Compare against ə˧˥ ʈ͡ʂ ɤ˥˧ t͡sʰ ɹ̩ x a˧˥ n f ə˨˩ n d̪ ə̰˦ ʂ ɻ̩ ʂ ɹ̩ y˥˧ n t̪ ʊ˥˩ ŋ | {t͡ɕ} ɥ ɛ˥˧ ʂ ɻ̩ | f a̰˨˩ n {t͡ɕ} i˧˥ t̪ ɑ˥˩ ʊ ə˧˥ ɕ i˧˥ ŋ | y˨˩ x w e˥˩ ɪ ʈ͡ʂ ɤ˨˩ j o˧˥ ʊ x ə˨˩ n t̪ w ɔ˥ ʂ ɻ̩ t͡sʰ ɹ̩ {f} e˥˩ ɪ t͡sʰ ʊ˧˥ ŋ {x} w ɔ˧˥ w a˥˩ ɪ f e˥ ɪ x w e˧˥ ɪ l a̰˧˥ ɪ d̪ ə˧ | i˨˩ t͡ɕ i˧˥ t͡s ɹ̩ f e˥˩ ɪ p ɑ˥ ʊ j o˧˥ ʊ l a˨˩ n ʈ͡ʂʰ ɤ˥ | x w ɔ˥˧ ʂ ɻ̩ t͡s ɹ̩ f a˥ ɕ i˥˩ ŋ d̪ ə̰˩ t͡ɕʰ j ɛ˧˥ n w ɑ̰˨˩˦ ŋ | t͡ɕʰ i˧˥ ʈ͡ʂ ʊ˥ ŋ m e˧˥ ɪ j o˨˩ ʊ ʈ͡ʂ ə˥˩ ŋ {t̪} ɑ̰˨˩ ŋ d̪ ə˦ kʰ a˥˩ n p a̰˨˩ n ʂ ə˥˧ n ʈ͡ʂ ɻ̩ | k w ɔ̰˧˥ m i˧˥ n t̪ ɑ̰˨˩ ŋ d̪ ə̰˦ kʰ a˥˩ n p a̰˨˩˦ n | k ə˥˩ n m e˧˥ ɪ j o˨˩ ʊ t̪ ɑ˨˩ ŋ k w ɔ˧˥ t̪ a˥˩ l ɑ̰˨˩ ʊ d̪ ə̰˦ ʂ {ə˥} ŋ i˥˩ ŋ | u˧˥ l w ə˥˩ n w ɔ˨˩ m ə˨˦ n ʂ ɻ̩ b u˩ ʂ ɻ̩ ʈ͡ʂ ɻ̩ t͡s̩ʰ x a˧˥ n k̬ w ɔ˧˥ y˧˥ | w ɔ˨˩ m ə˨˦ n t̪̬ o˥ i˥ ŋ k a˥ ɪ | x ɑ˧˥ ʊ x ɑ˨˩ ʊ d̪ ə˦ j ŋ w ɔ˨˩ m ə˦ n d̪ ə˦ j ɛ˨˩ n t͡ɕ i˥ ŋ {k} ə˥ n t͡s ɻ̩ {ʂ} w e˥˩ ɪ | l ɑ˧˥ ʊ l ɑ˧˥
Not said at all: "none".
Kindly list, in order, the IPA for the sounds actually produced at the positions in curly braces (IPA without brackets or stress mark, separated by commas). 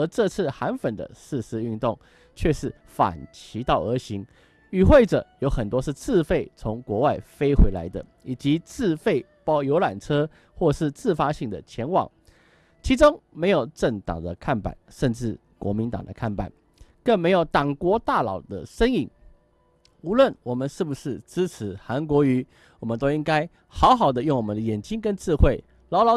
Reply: t͡ɕʰ, t͡ɕʰ, f, k, t̪, ə˥, k, x